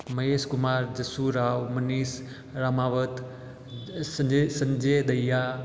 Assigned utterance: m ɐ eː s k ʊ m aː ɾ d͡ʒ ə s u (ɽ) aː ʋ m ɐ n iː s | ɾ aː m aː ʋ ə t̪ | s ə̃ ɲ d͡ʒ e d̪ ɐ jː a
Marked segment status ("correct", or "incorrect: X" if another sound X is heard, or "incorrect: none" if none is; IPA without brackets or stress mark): incorrect: ɾ